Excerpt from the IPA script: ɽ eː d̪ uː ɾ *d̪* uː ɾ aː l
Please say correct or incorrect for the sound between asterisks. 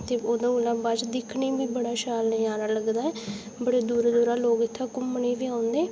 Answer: correct